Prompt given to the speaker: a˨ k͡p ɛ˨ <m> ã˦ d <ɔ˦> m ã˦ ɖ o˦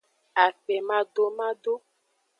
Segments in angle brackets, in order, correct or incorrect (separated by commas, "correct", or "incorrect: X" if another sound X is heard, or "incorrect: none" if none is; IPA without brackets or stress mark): correct, incorrect: o˦